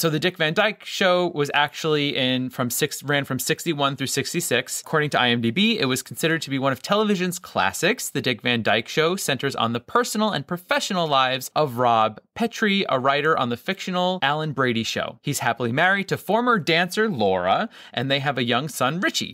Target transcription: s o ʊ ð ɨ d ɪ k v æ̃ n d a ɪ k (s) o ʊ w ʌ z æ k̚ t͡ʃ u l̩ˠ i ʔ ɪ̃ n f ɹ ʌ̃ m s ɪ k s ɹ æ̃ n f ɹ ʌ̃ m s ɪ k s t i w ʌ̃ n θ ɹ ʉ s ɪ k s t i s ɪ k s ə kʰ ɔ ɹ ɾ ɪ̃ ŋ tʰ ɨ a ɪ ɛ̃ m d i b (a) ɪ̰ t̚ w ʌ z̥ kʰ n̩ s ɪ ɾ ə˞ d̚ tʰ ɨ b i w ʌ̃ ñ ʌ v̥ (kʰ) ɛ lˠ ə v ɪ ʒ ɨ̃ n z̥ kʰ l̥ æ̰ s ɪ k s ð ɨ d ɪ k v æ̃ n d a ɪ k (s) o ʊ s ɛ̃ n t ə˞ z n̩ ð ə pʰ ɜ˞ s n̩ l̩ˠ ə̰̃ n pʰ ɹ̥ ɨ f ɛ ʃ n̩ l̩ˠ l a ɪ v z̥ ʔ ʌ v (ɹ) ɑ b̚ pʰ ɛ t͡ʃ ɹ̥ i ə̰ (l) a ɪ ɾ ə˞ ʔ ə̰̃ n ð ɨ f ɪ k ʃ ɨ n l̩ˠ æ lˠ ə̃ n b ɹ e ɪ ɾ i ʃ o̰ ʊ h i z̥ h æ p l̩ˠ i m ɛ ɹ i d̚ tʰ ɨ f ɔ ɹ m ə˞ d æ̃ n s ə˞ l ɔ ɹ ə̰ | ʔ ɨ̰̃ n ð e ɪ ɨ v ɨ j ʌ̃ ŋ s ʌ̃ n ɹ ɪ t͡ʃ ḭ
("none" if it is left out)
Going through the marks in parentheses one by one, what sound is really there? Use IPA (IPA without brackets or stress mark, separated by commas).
ʃ, i, tʰ, ʃ, ɹ, ɹ